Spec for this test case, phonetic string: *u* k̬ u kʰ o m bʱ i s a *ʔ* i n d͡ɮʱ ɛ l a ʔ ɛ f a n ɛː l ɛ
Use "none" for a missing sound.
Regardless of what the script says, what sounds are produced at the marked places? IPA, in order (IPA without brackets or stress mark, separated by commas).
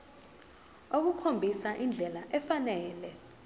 o, ʔ